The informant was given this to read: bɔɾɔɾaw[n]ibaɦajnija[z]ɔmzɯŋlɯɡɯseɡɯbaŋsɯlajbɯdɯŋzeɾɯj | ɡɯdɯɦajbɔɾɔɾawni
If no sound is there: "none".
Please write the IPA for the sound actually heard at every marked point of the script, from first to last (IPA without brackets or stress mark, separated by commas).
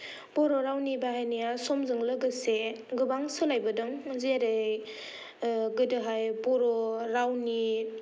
n, s